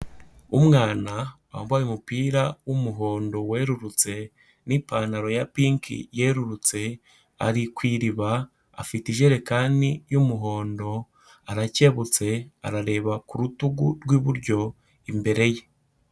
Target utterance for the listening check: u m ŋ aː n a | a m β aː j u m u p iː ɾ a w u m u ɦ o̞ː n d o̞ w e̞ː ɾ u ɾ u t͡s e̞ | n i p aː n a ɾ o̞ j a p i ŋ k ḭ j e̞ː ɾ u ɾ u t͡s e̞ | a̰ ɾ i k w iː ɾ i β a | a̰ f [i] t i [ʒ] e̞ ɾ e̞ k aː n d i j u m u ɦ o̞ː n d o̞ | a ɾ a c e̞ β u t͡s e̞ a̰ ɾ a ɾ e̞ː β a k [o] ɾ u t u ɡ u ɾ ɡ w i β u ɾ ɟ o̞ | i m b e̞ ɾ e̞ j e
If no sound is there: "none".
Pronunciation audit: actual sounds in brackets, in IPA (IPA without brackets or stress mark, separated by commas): i, ʒ, u